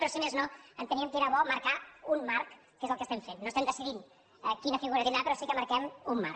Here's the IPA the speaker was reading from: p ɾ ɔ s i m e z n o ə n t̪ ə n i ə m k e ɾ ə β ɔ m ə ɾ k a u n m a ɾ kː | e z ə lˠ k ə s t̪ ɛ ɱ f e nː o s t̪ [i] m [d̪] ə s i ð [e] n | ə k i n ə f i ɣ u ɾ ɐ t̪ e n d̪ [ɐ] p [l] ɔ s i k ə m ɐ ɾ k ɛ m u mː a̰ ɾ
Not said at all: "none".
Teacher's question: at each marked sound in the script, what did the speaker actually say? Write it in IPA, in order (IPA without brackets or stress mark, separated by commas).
ɛ, d̪, i, a, ɾ